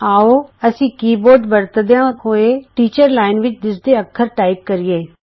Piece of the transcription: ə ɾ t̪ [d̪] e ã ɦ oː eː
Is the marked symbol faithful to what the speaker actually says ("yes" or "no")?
yes